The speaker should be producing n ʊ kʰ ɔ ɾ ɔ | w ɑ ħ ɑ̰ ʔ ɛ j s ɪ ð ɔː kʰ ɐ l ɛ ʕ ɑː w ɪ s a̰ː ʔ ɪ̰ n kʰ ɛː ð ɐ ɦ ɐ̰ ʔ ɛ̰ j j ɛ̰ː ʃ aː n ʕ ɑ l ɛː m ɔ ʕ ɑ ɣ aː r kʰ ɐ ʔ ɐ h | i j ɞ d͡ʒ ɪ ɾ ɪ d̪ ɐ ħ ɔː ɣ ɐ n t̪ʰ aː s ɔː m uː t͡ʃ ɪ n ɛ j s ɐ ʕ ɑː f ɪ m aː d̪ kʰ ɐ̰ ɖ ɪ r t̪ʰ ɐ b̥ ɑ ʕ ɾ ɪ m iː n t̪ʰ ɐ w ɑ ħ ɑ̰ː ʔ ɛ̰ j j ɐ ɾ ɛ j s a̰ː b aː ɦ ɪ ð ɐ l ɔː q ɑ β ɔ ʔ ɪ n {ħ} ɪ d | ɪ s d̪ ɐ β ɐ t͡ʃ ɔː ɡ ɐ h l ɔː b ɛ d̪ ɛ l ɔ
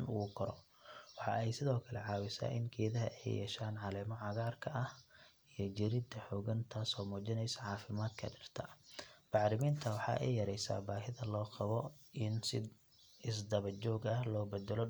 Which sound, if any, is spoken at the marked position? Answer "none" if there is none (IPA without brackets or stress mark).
s